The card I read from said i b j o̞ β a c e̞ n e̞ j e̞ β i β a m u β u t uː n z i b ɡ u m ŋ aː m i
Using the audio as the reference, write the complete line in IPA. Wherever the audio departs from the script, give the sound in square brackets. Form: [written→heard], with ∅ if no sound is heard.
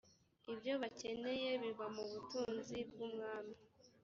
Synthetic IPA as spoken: i b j o̞ β a c e̞ n e̞ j e̞ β i β a m u β u t uː n z i b ɡ u m ŋ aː m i